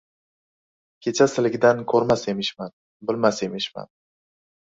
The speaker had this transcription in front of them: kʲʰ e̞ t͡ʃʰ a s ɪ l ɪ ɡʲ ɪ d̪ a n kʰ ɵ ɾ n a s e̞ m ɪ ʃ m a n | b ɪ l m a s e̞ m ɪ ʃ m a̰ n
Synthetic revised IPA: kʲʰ e̞ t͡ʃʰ a s ɪ l ɪ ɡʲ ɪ d̪ a n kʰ ɵ ɾ m a s e̞ m ɪ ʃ m a n | b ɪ l m a s e̞ m ɪ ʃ m a̰ n